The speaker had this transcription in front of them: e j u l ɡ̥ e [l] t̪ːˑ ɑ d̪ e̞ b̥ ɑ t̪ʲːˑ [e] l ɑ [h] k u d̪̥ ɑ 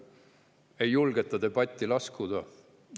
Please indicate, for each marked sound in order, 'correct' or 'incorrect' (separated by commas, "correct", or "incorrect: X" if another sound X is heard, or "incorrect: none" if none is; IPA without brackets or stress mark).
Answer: incorrect: none, incorrect: i, incorrect: s